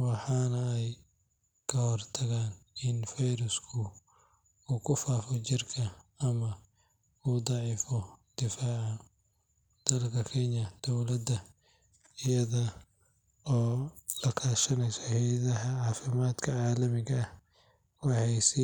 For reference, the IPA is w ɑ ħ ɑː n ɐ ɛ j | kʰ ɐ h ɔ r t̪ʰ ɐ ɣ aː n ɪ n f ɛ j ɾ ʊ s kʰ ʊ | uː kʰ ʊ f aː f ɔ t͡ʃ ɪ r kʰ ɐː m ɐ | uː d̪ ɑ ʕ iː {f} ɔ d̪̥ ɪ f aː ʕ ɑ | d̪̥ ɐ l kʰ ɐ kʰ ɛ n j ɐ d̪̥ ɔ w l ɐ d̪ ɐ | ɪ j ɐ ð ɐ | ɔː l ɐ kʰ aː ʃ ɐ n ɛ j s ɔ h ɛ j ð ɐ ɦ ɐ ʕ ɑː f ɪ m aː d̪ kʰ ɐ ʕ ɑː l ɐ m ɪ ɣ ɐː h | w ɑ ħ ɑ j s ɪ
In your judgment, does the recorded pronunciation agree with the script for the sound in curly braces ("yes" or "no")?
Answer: yes